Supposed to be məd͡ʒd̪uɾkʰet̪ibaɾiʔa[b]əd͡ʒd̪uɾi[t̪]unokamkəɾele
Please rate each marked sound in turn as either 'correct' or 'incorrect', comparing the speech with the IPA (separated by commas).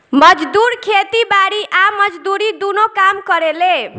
incorrect, incorrect